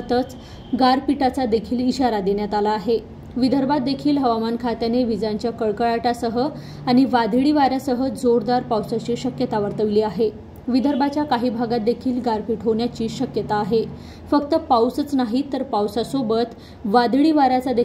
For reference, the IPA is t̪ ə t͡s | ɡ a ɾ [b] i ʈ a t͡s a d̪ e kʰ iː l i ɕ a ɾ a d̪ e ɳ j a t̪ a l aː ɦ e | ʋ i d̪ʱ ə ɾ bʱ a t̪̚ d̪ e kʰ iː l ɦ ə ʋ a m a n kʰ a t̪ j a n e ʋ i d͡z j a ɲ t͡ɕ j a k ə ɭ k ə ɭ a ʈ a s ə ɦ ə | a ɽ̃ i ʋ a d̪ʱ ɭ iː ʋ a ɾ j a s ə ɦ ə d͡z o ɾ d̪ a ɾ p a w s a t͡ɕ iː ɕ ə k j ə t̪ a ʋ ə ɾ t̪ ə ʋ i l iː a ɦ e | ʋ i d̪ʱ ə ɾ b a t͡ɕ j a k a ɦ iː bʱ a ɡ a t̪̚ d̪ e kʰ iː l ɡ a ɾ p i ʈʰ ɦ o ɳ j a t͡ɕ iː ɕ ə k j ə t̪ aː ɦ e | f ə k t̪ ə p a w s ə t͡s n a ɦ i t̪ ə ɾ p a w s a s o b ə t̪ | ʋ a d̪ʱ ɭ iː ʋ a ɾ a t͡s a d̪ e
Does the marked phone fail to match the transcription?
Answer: yes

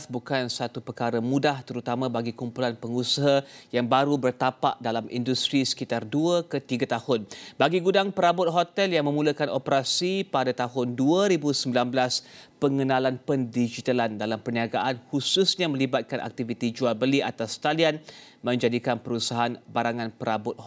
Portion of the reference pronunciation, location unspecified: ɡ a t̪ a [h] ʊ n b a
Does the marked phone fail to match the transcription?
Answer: no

